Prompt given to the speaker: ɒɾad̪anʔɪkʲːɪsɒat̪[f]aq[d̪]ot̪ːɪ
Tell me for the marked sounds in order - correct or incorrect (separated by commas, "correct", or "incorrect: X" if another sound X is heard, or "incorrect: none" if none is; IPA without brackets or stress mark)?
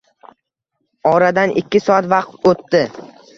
incorrect: v, incorrect: t̪